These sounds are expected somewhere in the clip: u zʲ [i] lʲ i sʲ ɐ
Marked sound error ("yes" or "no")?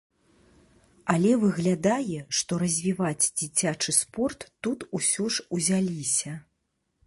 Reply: yes